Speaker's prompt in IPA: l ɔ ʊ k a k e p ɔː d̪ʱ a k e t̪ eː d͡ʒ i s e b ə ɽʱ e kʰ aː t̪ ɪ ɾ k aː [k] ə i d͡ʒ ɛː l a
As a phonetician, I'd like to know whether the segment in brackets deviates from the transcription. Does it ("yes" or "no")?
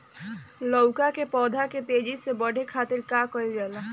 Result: no